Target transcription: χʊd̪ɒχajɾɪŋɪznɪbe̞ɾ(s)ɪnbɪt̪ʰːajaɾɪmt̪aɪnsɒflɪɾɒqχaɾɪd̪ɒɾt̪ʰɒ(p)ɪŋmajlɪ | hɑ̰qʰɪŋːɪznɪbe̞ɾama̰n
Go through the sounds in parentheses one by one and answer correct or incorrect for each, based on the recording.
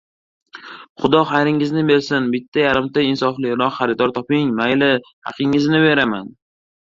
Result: correct, correct

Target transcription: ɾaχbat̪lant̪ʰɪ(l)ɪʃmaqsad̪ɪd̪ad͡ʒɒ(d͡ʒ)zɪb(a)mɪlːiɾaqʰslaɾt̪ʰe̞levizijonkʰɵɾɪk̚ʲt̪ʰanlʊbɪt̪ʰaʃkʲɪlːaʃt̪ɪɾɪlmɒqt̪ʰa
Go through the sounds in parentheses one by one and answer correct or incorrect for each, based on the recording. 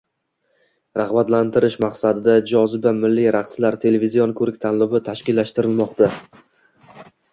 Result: incorrect: ɾ, incorrect: none, correct

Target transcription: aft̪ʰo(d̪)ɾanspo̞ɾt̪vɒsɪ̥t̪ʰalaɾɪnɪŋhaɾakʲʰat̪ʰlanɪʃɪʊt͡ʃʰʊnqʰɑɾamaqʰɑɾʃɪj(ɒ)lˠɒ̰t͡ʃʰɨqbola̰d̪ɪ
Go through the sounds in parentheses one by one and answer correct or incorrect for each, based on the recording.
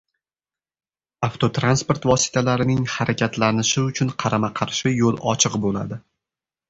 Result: incorrect: t̪, incorrect: o

